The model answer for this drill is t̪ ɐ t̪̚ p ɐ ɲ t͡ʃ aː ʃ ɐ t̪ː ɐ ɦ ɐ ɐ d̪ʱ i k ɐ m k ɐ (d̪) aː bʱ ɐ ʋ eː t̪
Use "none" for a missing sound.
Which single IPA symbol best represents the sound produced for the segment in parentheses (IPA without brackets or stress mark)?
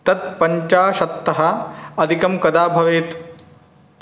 d̪